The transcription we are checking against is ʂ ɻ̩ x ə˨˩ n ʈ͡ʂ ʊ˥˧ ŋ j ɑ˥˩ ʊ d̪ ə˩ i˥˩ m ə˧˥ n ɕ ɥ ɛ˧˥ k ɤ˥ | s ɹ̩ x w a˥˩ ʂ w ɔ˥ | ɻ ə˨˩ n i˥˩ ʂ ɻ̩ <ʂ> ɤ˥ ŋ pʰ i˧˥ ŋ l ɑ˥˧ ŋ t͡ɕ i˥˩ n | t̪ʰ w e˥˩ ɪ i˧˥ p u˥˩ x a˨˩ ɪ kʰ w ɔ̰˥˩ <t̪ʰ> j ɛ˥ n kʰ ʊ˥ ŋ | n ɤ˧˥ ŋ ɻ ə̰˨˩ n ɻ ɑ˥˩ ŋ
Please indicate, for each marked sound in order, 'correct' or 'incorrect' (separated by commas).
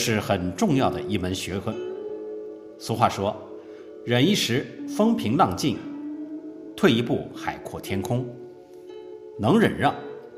incorrect, correct